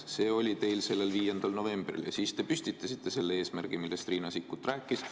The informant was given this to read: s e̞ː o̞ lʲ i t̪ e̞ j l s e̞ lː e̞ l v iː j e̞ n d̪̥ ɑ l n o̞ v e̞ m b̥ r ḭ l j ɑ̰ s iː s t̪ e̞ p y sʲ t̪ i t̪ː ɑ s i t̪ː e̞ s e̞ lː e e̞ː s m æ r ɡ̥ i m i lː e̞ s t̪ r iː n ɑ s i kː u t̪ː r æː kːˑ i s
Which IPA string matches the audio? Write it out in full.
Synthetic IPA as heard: s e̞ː o̞ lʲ i t̪ e̞ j l s e̞ lː e̞ l v iː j e̞ n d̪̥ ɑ l n o̞ v e̞ m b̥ r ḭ l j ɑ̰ s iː s t̪ e̞ p y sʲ t̪ i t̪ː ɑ s i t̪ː e̞ s e̞ lː e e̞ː s m æ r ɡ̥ i m i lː e̞ s t̪ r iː n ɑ s i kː u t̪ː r æː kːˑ i s